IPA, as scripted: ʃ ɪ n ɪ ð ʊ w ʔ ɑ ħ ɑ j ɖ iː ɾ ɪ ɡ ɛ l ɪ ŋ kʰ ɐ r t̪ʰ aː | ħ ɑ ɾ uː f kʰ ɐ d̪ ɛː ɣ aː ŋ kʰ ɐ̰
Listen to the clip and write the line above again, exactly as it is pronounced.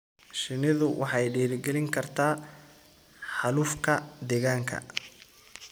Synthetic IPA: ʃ ɪ n ɪ ð ʊ w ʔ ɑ ħ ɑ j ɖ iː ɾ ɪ ɡ ɛ l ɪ ŋ kʰ ɐ r t̪ʰ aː | ħ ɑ l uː f kʰ ɐ d̪ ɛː ɣ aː ŋ kʰ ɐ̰